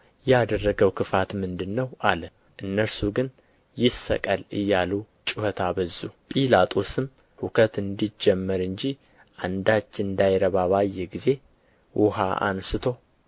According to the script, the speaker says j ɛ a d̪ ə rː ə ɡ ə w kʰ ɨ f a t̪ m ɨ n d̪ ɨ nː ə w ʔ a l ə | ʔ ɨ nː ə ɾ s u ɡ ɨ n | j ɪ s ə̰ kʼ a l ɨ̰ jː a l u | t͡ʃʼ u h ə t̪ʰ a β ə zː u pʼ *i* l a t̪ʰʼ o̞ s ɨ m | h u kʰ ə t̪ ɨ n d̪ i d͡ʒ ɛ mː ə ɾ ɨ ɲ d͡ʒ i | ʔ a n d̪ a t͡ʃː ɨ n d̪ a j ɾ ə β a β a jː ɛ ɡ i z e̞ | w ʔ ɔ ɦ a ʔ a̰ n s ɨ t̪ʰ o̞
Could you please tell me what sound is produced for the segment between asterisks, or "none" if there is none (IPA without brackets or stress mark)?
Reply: i